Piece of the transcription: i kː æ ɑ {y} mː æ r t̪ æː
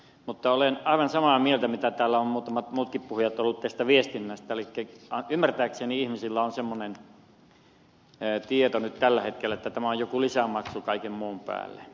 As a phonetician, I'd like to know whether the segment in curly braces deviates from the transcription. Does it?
no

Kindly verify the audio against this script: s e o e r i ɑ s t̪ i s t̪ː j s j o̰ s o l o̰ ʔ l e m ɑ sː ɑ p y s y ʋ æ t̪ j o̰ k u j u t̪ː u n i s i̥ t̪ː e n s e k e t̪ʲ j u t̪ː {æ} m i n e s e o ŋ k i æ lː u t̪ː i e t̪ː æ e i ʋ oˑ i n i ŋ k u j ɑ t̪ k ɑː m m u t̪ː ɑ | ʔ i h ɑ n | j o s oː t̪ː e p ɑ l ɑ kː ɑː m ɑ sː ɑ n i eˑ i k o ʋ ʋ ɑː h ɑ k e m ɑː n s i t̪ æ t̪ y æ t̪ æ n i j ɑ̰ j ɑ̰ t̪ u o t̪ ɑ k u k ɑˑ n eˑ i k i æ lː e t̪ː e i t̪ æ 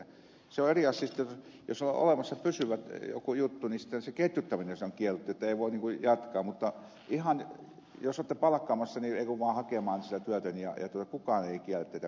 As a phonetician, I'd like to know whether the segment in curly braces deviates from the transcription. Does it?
no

